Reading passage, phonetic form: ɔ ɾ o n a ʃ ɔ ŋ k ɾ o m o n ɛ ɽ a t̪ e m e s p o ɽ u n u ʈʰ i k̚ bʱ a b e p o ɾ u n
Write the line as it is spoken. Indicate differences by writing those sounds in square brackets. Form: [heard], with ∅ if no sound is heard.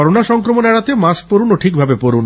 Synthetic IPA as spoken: ɔ ɾ o n a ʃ ɔ ŋ k ɾ o m o n ɛ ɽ a t̪ e m [a] s p o [ɾ] u n [o] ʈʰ i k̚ bʱ a b e p o ɾ u n